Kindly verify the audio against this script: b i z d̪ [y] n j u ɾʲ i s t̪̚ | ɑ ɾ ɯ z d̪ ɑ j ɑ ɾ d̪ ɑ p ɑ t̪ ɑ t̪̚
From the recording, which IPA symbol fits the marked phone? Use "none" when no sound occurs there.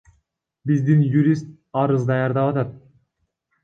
i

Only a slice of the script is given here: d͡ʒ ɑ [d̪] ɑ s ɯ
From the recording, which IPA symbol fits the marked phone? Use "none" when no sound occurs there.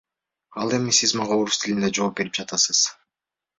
t̪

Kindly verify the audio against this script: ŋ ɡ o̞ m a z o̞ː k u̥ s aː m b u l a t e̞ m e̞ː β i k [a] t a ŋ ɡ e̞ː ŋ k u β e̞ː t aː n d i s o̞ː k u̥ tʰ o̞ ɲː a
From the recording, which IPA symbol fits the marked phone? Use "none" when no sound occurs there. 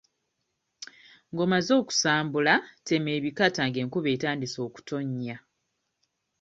a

